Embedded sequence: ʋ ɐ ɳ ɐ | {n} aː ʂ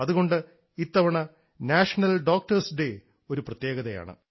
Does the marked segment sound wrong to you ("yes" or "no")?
no